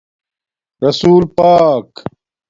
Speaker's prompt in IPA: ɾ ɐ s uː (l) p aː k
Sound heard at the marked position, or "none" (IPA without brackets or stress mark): l